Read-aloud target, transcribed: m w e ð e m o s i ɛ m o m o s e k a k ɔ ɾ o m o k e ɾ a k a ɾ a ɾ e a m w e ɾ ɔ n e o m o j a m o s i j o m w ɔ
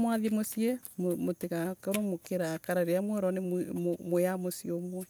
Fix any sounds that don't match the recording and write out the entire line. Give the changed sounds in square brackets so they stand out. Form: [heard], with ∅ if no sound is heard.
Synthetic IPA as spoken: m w [a] ð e m o s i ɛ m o m o [t] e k a k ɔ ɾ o m o k e ɾ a k a ɾ a ɾ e a m w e ɾ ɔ n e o m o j a m o s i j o m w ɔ